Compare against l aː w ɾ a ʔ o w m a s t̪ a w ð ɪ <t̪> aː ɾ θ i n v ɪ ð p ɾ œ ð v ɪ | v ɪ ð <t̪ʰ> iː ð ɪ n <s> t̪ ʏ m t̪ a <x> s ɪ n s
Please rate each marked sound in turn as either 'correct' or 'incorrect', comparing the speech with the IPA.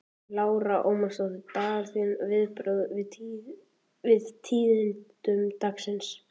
correct, correct, incorrect: t, incorrect: k

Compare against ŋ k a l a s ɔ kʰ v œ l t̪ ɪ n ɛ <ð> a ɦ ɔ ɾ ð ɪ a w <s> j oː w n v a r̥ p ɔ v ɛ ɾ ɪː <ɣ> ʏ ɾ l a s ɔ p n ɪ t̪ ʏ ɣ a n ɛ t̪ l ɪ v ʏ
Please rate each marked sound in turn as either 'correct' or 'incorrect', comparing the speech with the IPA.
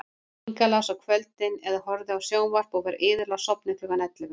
correct, correct, incorrect: ð

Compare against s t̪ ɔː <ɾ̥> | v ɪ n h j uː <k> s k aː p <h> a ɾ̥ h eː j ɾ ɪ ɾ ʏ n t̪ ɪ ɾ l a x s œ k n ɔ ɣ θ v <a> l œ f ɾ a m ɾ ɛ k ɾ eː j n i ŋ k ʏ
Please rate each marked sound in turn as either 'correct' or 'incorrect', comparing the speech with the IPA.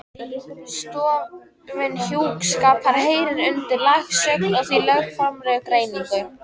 incorrect: none, correct, correct, incorrect: i

